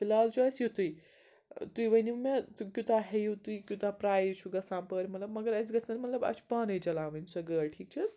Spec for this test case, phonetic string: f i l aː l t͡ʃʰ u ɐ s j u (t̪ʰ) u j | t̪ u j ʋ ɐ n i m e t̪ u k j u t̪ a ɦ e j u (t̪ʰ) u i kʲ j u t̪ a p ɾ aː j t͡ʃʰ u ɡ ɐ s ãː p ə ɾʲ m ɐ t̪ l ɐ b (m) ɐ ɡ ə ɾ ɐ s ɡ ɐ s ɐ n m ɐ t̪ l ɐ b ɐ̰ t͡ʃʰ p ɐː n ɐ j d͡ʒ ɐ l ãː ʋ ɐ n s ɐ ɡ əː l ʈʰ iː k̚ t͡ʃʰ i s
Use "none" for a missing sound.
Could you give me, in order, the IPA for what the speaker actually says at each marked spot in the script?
t̪, t̪, m

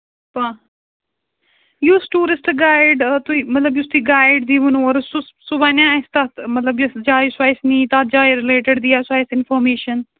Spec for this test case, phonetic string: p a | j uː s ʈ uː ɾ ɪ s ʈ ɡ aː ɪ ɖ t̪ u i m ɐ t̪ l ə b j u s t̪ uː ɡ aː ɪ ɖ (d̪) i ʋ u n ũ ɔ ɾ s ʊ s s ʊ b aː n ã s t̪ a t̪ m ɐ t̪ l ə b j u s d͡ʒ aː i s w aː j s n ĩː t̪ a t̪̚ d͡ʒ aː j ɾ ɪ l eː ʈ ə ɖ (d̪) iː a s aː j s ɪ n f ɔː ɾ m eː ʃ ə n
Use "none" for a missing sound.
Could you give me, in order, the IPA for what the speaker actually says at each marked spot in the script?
d̪, d̪

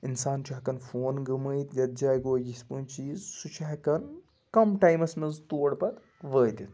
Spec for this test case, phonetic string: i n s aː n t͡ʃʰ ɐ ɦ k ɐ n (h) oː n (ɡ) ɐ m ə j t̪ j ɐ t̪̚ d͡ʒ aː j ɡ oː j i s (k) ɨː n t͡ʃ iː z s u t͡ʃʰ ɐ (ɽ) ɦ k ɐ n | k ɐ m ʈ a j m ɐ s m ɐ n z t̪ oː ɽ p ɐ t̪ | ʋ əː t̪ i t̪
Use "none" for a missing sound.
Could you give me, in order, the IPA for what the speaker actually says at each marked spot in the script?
f, ɡ, p, none

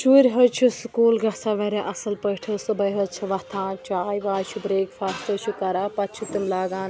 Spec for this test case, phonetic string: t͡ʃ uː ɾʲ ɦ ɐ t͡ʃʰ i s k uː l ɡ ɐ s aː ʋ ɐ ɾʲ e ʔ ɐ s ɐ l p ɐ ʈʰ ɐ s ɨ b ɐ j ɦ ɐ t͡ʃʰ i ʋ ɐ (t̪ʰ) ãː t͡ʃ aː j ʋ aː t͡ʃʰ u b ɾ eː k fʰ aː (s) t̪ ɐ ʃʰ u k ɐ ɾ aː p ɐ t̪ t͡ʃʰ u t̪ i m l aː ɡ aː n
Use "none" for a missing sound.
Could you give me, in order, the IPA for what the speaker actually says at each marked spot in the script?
t̪ʰ, s

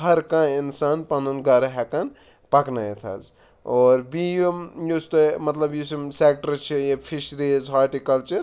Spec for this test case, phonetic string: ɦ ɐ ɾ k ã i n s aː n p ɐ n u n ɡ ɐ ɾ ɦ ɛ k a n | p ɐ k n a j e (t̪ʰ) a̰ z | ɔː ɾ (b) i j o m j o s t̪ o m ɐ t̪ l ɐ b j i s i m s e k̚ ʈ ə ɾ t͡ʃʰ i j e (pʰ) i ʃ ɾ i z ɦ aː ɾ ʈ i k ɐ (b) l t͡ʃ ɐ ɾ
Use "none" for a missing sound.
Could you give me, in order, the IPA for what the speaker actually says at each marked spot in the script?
t̪ʰ, b, pʰ, none

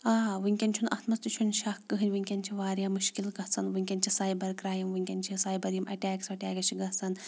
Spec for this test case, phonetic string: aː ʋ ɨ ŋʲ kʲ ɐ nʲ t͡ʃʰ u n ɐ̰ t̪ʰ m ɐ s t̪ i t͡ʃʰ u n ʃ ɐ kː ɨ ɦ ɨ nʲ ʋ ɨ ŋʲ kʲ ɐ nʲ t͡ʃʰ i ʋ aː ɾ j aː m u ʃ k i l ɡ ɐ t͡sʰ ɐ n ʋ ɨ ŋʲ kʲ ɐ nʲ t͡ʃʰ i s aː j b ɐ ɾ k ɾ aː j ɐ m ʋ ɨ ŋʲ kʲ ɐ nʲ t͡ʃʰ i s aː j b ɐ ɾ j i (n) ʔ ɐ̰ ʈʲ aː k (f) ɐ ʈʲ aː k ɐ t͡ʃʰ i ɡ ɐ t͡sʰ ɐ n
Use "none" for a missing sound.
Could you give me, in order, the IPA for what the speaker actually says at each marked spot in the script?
m, s

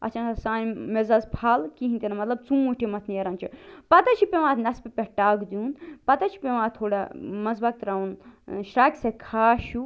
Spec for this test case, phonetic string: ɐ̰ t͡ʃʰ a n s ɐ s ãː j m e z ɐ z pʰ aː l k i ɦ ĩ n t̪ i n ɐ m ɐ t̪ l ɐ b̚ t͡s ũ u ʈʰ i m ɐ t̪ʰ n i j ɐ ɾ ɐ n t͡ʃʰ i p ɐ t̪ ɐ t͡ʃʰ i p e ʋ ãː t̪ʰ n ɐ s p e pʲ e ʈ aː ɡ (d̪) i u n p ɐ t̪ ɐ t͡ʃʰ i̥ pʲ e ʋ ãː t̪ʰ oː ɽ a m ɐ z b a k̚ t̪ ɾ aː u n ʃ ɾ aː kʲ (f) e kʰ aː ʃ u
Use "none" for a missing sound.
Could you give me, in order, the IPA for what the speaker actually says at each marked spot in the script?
d̪, s

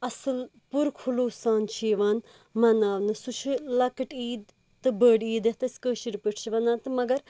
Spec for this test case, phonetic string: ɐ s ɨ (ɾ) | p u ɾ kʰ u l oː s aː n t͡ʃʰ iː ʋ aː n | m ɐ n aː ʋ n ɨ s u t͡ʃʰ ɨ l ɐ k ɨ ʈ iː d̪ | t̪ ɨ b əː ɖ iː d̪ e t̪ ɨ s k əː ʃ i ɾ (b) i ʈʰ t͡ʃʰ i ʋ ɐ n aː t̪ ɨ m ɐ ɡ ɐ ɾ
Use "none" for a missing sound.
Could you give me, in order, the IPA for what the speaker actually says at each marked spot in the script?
l, p

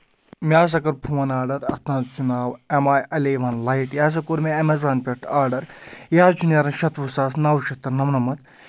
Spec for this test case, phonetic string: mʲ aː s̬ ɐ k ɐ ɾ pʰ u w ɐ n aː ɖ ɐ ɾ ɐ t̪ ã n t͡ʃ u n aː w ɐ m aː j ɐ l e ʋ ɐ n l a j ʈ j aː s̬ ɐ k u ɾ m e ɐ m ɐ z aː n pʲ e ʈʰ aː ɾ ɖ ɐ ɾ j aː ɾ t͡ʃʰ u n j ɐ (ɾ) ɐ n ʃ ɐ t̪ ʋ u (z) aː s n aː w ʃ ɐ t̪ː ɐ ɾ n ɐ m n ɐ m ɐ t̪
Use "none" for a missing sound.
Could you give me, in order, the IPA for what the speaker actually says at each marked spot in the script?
ɾ, s

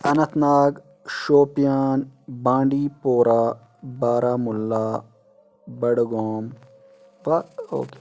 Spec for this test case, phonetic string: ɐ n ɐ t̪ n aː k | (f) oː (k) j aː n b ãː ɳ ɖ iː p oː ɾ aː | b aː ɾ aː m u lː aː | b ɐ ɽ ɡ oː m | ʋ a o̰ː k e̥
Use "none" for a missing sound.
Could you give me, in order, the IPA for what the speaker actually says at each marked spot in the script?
ʃ, p

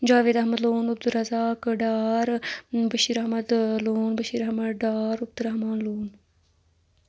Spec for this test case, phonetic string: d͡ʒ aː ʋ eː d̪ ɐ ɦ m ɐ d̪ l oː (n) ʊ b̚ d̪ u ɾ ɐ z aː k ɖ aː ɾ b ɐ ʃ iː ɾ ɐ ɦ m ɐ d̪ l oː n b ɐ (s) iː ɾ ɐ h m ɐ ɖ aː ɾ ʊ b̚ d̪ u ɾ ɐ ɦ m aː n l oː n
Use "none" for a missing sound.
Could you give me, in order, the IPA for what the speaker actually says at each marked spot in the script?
n, ʃ

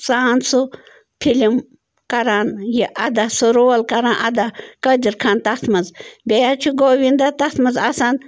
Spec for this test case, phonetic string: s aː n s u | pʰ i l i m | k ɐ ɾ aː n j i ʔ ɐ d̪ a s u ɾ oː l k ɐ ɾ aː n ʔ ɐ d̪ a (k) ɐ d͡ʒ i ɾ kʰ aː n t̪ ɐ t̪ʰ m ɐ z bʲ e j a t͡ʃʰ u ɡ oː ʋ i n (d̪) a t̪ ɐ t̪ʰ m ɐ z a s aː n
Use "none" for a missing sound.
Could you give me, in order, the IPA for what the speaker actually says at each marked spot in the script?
k, d̪

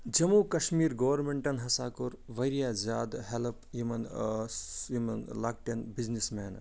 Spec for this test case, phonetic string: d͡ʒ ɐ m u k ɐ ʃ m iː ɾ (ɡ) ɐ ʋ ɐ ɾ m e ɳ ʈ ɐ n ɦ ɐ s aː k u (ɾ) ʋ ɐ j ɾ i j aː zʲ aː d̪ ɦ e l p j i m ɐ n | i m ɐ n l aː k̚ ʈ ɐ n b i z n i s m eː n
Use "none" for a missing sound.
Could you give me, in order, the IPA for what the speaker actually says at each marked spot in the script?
ɡ, ɾ

